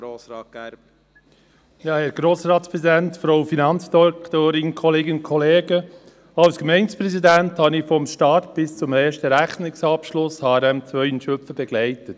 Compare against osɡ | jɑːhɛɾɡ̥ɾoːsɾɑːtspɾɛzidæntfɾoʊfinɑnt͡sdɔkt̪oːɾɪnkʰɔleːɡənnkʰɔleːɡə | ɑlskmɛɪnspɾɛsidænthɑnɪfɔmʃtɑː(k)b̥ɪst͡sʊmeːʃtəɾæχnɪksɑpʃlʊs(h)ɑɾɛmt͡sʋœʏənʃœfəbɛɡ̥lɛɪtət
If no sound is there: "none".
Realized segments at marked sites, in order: t, h

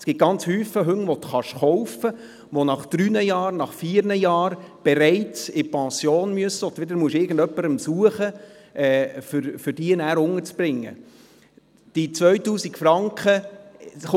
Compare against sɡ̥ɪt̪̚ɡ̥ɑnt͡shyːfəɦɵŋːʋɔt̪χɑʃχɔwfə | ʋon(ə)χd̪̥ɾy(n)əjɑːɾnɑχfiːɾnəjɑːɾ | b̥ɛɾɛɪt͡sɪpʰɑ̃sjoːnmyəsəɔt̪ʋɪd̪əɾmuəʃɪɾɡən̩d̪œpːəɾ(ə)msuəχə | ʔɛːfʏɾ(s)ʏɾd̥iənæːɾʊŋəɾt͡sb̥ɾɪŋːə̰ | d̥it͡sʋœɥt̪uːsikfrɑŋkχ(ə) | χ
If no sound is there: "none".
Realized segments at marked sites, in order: ɑ, n, ə, f, ə

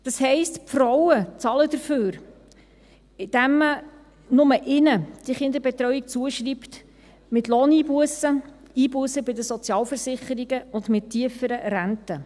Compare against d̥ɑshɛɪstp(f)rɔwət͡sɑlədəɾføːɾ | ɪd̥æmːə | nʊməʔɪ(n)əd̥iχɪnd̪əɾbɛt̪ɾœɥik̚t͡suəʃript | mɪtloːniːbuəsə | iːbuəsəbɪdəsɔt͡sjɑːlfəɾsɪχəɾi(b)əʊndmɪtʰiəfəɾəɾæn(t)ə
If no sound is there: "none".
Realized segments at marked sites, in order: f, n, ɡ, t

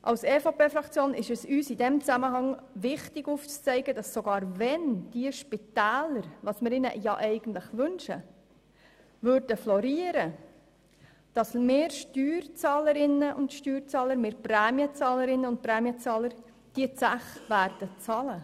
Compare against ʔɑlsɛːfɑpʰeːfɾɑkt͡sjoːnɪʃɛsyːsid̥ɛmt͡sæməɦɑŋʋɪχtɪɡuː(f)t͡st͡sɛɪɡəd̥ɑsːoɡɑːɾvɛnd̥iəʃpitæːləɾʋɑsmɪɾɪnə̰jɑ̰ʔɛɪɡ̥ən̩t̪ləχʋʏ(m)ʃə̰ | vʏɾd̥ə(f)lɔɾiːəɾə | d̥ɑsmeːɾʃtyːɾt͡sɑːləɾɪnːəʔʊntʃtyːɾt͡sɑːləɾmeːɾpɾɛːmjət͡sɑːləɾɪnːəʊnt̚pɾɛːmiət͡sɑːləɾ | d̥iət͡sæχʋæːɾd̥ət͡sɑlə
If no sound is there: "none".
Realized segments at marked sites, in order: f, n, f

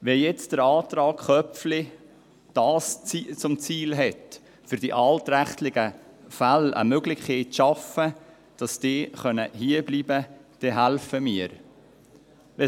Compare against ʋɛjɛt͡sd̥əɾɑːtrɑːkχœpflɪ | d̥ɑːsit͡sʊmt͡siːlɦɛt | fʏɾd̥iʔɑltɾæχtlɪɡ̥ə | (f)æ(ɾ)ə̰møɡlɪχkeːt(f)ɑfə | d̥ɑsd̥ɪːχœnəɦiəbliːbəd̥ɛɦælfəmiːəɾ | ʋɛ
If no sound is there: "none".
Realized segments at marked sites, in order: f, l, ʃ

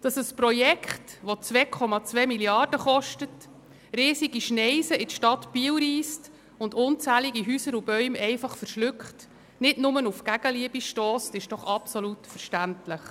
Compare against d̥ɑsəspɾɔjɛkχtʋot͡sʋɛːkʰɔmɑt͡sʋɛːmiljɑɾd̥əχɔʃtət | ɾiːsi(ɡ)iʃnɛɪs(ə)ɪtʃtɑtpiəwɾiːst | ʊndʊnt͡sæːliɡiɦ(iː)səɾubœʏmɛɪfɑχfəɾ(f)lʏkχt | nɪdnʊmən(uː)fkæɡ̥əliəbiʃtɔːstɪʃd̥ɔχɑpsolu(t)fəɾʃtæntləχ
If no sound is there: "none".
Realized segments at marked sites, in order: ɡ, ə, yː, ʃ, u, t

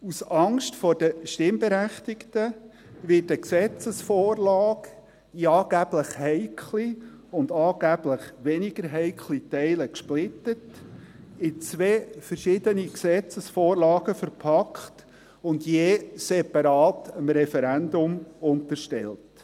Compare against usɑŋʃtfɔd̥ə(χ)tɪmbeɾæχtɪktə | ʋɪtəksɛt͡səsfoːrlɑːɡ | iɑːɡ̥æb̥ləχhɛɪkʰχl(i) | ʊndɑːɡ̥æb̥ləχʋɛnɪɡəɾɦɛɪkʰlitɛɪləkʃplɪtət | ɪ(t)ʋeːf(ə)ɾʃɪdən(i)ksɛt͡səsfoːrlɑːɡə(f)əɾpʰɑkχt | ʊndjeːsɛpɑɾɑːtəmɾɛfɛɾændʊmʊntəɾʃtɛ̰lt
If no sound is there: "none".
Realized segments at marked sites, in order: ʃ, i, t͡s, ə, i, f

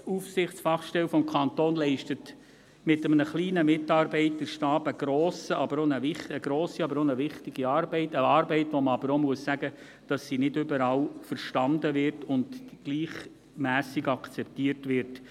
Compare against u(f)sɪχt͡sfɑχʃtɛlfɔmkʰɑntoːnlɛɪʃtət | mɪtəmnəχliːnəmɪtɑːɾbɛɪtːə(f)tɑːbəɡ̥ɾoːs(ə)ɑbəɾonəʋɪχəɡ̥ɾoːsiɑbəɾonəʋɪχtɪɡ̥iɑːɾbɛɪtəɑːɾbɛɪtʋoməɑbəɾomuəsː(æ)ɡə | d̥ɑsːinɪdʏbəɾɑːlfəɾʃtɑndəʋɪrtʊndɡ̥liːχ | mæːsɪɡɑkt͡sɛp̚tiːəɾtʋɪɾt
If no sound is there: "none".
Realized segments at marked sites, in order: f, ʃ, ə, æ

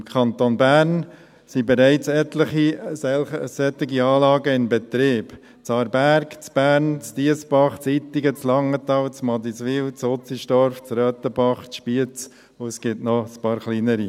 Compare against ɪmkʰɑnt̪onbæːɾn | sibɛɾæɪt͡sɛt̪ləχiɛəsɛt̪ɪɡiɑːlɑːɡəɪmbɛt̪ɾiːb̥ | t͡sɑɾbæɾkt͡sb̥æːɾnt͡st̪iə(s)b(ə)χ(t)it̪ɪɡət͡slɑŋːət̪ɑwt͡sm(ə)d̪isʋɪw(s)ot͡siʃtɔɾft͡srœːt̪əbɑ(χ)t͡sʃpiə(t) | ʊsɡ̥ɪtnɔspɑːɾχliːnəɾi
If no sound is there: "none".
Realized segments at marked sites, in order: s, ɑ, t͡s, ɑ, t͡s, χ, t͡s

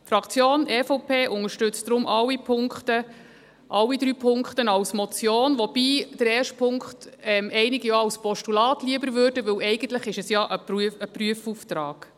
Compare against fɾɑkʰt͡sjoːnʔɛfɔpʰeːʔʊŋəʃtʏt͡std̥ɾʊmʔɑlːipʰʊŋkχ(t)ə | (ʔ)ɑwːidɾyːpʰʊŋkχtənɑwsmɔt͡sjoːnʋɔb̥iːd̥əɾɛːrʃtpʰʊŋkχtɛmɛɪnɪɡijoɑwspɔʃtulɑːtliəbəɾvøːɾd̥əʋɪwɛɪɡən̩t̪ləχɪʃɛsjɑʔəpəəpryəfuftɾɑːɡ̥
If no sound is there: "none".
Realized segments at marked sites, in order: t, ʔ

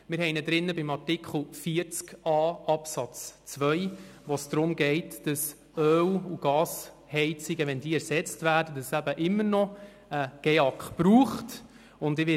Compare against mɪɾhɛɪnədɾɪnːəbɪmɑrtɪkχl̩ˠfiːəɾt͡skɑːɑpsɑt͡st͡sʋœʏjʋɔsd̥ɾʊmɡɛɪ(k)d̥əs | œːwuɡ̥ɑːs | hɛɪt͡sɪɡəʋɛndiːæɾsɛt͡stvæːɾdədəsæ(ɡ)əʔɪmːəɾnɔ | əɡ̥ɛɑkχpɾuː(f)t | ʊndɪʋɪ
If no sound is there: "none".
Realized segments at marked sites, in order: t, b, χ

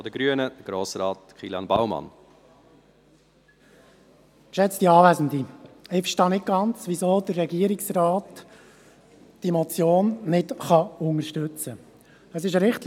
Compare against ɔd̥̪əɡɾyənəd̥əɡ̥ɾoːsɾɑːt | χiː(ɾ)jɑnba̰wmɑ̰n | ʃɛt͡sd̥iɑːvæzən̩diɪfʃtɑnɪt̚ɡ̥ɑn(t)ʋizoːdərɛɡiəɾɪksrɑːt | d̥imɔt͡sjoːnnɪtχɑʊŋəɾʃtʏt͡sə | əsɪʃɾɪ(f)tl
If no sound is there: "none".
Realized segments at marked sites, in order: l, t͡s, χ

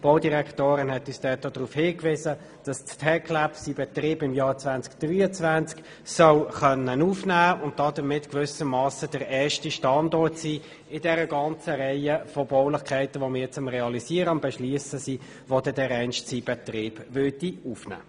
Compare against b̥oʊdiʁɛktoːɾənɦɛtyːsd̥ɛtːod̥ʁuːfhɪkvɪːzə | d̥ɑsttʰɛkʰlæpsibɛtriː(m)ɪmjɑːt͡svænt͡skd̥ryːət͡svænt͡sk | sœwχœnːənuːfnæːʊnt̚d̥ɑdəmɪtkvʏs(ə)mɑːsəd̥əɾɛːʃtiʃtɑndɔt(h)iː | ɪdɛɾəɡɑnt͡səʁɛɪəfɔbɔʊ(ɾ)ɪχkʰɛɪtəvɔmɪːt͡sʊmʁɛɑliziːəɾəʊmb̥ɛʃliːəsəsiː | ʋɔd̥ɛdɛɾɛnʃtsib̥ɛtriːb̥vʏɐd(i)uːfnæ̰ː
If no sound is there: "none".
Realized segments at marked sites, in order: b, ə, s, l, i

